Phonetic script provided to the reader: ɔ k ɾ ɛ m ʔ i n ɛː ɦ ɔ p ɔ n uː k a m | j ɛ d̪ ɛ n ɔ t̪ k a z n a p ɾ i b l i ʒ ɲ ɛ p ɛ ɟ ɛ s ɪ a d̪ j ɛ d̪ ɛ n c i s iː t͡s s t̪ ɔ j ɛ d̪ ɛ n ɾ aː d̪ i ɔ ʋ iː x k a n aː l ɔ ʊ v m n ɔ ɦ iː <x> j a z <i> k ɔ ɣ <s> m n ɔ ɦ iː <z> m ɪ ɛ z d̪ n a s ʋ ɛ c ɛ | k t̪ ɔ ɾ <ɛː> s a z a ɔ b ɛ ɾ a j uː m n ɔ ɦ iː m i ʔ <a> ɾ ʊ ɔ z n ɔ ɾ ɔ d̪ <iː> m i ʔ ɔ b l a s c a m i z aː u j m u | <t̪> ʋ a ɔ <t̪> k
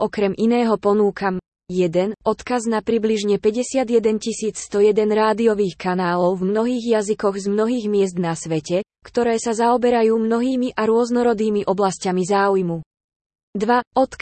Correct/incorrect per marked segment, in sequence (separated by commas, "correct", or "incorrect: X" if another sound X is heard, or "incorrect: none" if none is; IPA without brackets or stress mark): incorrect: ɣ, correct, incorrect: z, incorrect: ɣ, correct, correct, correct, incorrect: d̪, correct